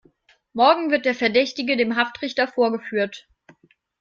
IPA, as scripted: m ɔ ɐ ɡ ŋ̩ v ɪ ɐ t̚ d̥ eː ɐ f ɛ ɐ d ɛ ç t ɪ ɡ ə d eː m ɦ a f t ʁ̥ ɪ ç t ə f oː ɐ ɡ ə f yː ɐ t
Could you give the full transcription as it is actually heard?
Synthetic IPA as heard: m ɔ ɐ ɡ ŋ̩ v ɪ ɐ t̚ d̥ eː ɐ f ɛ ɐ d ɛ ç t ɪ ɡ ə d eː m ɦ a f t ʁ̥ ɪ ç t ɐ f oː ɐ ɡ ə f yː ɐ t